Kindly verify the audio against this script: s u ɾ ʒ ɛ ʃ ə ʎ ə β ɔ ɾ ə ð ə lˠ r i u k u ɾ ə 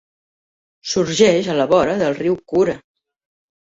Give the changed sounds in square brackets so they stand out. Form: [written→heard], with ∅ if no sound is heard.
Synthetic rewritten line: s u ɾ ʒ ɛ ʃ ə [ʎ→l] ə β ɔ ɾ ə ð ə lˠ r i [u→w] k u ɾ ə